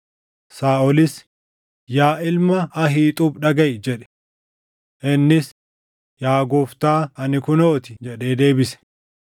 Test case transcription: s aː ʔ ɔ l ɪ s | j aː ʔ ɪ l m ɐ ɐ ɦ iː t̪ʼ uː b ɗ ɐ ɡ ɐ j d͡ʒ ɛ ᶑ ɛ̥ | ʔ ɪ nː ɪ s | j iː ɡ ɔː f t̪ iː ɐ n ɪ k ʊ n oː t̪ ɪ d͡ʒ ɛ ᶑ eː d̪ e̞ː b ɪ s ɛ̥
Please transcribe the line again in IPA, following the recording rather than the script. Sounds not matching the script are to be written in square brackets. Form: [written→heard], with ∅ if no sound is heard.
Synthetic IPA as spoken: s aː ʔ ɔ l ɪ s | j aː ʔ ɪ l m ɐ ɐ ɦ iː t̪ʼ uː b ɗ ɐ ɡ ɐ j d͡ʒ ɛ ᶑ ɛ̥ | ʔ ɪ nː ɪ s | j [iː→aː] ɡ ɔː f t̪ [iː→aː] ɐ n ɪ k ʊ n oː t̪ ɪ d͡ʒ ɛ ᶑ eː d̪ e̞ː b ɪ s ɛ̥